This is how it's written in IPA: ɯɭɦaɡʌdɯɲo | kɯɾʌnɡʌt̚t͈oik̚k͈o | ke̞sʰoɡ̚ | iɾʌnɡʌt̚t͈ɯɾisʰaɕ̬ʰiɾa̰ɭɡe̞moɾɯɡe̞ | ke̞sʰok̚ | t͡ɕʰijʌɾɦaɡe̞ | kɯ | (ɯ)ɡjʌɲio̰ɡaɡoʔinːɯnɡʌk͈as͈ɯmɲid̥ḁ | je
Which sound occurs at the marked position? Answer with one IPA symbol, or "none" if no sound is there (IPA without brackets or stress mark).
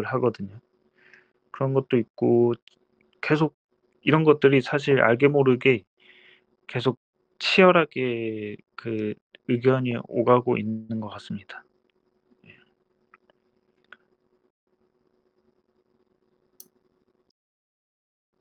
ɯ